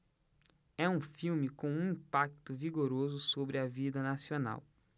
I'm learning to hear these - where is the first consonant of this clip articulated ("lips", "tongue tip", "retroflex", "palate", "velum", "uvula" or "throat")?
lips